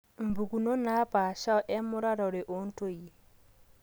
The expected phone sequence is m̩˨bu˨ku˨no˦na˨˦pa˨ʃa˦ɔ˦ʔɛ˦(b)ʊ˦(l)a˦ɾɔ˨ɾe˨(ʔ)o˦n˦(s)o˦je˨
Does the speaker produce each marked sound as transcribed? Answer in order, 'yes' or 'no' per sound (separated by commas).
no, no, yes, no